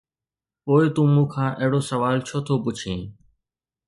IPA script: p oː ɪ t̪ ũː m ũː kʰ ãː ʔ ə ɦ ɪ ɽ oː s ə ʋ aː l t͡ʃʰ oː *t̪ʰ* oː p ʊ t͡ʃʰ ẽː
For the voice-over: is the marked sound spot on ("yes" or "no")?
yes